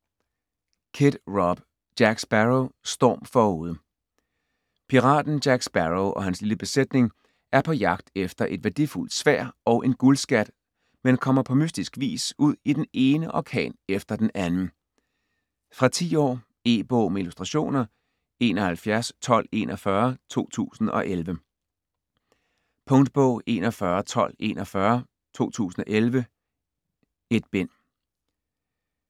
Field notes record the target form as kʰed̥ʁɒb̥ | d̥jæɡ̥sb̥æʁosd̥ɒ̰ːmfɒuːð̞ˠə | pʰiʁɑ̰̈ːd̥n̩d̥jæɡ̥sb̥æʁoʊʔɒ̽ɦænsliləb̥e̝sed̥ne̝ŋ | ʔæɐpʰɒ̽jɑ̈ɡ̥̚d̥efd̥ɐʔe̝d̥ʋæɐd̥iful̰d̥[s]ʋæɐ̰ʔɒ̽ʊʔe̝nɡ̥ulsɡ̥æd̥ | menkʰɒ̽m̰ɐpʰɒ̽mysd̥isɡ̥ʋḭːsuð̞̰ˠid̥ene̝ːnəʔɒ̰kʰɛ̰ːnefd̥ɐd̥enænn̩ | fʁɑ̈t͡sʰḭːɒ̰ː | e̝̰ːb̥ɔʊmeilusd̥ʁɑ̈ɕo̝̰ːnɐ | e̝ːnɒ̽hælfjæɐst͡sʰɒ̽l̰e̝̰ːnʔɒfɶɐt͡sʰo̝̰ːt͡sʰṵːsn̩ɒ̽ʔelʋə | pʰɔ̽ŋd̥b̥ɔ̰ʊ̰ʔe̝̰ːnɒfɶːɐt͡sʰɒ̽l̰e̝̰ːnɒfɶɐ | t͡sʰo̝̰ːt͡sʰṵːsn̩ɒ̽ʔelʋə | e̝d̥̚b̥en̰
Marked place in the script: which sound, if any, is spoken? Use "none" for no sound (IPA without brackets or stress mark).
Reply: s